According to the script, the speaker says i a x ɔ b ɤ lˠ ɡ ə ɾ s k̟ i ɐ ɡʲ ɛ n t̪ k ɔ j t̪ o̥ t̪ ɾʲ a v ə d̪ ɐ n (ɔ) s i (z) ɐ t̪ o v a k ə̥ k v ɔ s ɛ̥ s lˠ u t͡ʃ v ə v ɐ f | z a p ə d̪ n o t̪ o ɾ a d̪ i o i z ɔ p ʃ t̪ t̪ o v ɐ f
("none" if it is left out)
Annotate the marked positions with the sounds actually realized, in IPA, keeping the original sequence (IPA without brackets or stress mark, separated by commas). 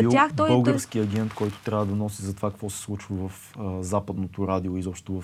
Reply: ɔ, z